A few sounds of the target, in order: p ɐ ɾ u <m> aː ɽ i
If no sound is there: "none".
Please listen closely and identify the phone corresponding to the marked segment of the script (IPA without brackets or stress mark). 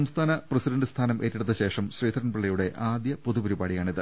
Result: b